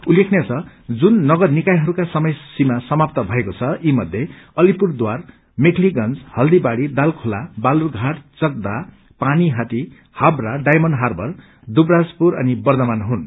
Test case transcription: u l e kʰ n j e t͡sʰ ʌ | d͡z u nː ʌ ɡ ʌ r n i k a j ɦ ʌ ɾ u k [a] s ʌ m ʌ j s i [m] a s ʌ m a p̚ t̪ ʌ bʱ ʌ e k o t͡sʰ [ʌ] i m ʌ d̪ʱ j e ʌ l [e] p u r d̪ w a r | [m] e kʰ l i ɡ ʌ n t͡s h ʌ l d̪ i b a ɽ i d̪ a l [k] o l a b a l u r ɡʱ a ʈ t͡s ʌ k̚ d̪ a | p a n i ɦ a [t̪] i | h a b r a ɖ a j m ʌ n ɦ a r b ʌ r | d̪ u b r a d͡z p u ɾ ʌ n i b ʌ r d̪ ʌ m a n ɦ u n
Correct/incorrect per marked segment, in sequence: correct, correct, correct, incorrect: i, correct, incorrect: kʰ, correct

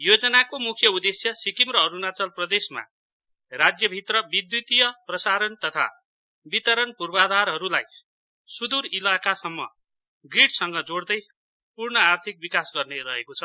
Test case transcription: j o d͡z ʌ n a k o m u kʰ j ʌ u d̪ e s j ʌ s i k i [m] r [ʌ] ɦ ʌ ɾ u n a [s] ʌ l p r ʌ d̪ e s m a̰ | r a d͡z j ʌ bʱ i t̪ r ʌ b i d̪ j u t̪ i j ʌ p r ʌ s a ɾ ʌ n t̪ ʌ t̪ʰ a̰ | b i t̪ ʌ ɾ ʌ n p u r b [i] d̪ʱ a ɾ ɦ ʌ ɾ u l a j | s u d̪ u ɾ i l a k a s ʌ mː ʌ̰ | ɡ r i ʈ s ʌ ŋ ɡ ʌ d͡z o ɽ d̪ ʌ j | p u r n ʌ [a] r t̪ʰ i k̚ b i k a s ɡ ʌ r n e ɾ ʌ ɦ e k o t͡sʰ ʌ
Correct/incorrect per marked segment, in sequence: correct, correct, incorrect: t͡s, incorrect: a, correct

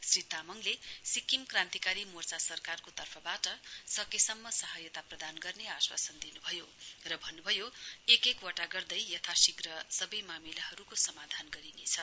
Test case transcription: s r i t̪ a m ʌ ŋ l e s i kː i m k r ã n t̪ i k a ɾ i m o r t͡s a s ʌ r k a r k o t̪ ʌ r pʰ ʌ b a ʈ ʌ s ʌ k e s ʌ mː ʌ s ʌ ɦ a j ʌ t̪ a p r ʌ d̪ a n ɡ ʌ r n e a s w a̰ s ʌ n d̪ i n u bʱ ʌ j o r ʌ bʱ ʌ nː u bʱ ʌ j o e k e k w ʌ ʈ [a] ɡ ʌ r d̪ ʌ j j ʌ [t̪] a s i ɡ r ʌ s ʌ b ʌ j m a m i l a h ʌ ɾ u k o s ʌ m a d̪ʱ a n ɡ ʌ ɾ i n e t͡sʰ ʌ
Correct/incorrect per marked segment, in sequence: correct, incorrect: t̪ʰ

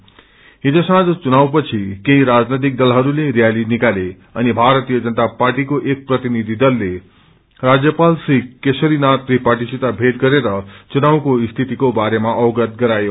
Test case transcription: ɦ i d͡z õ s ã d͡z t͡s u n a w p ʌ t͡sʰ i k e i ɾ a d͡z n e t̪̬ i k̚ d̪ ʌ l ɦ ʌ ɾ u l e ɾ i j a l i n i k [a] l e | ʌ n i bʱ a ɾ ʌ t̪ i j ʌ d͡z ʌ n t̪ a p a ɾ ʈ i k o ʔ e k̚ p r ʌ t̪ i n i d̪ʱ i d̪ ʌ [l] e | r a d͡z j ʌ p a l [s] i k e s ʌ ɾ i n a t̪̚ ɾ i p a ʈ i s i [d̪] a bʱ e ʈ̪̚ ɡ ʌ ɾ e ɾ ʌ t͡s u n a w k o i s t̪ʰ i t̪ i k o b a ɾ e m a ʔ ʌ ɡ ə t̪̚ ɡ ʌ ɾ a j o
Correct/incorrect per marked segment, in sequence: correct, incorrect: lː, correct, incorrect: t̪

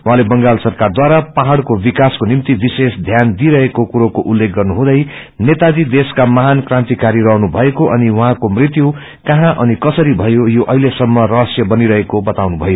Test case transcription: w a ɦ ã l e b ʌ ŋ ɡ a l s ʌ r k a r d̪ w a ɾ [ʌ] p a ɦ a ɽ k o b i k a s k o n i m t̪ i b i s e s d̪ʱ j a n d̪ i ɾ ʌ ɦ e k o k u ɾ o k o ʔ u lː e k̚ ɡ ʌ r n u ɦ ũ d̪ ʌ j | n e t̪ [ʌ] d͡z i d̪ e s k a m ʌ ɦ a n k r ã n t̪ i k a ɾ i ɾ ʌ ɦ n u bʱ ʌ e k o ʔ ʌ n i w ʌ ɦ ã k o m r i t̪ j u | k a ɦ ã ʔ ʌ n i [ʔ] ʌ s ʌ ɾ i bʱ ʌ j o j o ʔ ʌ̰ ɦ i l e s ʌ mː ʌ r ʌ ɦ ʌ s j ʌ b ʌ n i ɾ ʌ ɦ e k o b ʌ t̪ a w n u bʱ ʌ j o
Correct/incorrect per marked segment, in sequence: incorrect: a, incorrect: a, incorrect: k

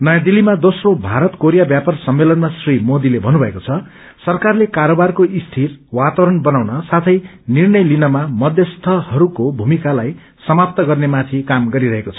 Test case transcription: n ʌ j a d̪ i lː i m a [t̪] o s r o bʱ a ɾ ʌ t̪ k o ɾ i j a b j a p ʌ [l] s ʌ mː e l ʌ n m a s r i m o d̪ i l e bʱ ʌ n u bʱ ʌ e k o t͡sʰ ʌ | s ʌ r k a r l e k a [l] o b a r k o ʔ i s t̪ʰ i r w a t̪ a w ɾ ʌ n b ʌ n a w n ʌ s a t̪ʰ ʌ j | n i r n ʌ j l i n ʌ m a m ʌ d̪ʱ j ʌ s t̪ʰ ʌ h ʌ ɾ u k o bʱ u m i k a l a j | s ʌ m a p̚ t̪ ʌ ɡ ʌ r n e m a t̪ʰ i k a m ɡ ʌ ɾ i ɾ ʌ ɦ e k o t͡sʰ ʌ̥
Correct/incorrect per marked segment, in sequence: incorrect: d̪, incorrect: r, incorrect: ɾ

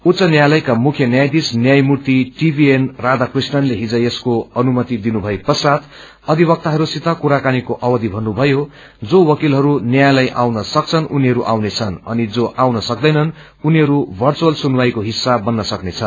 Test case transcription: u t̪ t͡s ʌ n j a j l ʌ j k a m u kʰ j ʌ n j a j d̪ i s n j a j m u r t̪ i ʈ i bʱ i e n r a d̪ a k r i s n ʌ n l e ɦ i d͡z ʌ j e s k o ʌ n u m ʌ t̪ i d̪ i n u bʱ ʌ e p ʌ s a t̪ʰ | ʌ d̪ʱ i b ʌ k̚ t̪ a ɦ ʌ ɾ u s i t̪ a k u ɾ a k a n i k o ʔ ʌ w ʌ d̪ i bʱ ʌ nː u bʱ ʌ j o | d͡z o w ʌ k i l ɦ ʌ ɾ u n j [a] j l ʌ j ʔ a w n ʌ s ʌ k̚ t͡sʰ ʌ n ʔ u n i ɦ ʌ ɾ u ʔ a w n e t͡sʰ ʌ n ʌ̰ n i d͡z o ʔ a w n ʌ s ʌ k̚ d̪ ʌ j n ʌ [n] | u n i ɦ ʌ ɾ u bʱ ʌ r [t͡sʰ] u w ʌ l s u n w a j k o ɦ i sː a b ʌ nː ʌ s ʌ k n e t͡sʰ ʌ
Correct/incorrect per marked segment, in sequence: correct, correct, incorrect: t͡s

